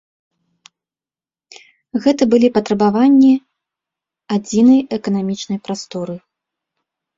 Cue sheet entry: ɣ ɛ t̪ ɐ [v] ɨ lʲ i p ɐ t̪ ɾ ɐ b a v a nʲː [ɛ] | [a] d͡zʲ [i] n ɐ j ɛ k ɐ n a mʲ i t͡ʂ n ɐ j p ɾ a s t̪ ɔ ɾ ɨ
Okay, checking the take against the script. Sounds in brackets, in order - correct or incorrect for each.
incorrect, incorrect, correct, correct

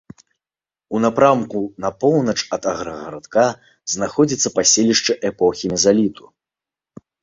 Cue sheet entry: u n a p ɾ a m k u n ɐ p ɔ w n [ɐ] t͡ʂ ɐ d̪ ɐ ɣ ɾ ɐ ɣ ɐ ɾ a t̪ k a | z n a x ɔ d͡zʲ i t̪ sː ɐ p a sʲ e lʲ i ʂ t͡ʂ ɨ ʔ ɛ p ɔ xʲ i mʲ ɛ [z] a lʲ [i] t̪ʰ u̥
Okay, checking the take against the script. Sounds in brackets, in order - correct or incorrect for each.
correct, correct, correct

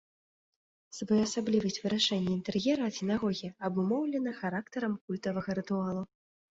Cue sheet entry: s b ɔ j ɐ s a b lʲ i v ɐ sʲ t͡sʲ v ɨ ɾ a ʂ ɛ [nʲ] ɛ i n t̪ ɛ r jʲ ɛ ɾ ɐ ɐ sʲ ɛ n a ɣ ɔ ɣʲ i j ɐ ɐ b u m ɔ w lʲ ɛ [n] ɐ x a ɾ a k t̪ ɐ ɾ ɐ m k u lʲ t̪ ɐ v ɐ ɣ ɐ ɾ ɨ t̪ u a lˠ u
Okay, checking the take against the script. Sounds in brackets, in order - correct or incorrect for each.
incorrect, correct

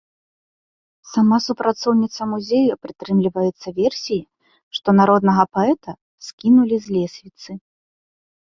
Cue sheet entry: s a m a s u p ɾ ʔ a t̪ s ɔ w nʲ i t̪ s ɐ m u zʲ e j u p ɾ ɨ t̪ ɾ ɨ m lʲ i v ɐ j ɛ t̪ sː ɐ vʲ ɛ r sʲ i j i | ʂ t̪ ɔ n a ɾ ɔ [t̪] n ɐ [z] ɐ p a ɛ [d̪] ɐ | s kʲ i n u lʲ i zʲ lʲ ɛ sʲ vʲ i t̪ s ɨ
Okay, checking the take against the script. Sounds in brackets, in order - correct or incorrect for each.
incorrect, incorrect, incorrect

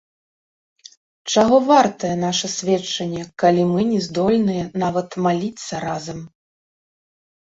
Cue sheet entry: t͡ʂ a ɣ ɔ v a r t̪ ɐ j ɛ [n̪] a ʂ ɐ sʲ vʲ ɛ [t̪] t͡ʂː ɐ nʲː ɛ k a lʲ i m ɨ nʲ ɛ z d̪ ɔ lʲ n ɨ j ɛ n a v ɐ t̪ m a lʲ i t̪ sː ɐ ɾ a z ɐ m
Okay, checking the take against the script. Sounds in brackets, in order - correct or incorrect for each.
correct, incorrect

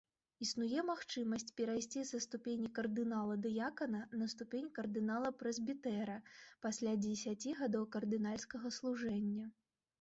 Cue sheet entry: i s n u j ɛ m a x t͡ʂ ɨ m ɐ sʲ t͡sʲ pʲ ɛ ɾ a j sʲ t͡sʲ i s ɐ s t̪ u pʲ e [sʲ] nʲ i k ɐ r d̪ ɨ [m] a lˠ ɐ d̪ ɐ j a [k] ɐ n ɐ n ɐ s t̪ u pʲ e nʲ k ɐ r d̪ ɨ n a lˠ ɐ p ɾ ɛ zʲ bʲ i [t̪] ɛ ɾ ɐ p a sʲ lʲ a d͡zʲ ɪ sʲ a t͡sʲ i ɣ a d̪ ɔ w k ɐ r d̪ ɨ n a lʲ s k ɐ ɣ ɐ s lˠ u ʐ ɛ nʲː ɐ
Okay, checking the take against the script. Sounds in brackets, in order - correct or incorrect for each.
incorrect, incorrect, correct, correct

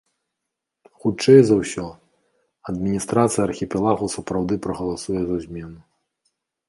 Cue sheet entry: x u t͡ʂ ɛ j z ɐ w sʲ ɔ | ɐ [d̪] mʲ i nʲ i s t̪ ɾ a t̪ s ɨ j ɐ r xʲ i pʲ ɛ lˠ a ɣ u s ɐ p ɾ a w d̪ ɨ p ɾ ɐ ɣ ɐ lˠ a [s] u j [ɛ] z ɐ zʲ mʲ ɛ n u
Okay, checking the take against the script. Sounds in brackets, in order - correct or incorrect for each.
correct, correct, correct

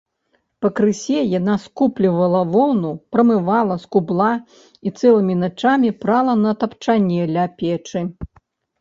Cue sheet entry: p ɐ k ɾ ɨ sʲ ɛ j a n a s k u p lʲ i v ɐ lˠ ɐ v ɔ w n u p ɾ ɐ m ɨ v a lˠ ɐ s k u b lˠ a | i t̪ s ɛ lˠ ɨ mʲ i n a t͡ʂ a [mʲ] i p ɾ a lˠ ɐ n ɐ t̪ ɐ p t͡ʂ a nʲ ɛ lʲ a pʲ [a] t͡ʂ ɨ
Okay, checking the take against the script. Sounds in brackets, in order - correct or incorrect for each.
correct, incorrect

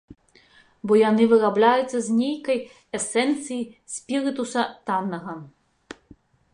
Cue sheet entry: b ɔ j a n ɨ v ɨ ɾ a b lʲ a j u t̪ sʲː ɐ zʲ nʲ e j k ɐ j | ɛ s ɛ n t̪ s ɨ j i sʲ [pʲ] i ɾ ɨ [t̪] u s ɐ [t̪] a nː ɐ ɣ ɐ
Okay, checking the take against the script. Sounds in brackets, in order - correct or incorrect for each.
correct, correct, correct

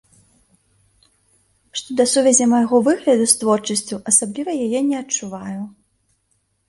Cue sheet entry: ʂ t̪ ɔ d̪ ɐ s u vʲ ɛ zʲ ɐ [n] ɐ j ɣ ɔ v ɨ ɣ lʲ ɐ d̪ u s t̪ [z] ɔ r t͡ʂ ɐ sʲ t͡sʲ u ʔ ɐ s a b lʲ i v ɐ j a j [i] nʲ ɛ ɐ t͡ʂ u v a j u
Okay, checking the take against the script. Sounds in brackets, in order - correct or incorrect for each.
incorrect, incorrect, incorrect

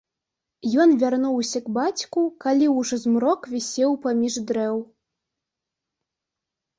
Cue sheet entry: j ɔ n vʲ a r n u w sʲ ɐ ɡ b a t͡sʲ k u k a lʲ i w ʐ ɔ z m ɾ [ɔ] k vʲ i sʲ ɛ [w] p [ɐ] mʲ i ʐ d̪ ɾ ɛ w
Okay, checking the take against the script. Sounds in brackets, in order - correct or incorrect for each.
correct, correct, incorrect

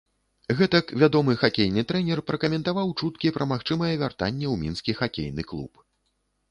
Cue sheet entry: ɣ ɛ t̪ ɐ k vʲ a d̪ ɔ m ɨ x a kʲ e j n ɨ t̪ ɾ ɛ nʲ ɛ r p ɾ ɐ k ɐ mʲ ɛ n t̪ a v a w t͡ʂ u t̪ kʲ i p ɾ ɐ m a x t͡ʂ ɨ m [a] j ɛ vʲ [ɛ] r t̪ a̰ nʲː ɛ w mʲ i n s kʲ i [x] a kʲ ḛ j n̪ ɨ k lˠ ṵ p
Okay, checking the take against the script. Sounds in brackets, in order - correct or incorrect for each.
incorrect, incorrect, correct

